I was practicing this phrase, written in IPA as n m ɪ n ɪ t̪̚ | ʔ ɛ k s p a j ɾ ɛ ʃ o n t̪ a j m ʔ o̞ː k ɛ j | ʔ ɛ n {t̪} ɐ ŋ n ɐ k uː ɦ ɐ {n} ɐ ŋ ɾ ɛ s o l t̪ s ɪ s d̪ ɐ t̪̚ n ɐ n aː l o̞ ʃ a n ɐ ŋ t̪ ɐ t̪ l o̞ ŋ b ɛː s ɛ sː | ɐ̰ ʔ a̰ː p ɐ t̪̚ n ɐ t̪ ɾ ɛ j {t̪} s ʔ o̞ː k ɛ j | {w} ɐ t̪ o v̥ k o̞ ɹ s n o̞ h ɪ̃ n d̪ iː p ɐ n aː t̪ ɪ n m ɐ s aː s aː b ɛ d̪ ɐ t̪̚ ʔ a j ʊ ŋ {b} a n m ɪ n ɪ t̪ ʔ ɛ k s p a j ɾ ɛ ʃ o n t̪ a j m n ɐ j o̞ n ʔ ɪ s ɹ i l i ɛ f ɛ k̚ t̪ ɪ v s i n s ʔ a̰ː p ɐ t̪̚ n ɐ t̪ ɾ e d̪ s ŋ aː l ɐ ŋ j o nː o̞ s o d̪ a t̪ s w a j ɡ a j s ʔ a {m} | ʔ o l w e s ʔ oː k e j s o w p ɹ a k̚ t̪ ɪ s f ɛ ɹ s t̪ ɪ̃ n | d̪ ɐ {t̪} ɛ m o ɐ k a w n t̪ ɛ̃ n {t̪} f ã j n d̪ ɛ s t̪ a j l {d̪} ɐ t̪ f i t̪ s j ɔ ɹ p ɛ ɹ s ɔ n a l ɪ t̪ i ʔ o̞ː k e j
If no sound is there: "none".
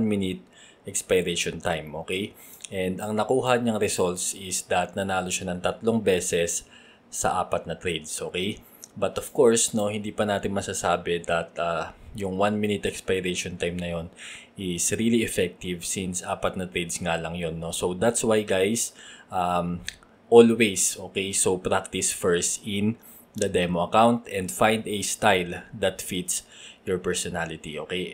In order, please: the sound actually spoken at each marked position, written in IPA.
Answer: d̪, ɲ, d̪, b, w, m, d̪, d̪, d̪

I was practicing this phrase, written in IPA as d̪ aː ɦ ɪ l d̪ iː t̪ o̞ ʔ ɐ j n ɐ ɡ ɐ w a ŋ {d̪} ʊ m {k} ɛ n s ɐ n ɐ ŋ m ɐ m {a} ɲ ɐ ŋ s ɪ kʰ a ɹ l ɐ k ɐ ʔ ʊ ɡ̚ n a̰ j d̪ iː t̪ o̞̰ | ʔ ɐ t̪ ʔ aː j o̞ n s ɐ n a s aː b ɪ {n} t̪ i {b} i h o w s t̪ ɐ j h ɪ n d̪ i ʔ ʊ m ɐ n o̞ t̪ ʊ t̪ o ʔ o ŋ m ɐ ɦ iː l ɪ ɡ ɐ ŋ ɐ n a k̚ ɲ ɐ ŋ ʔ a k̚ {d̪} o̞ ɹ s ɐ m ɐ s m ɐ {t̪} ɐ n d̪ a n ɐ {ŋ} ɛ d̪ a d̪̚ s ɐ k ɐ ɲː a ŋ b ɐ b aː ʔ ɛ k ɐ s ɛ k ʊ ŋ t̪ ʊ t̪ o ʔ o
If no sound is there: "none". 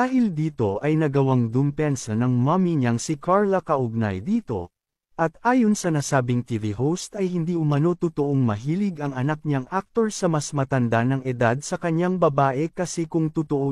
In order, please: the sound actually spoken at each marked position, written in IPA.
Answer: d̪, p, i, ŋ, v, t̪, t̪, ŋ

